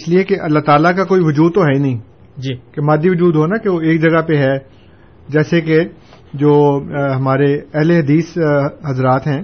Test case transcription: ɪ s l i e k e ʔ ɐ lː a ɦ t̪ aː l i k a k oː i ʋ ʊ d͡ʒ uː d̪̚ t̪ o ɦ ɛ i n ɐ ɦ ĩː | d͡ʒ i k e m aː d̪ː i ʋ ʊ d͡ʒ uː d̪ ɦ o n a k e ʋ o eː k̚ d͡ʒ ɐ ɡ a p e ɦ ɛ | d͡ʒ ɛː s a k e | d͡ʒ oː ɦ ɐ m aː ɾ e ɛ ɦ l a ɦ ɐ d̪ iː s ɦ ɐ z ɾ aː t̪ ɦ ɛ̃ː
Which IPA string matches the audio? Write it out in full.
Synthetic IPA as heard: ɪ s l i e k e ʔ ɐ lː a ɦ t̪ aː l a k a k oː i ʋ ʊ d͡ʒ uː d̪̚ t̪ o ɦ ɛ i n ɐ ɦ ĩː | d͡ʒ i k e m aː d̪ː i ʋ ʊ d͡ʒ uː d̪ ɦ o n a k e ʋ o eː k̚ d͡ʒ ɐ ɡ a p e ɦ ɛ | d͡ʒ ɛː s e k e | d͡ʒ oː ɦ ɐ m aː ɾ e ɛ ɦ l e ɦ ɐ d̪ iː s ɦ ɐ z ɾ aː t̪ ɦ ɛ̃ː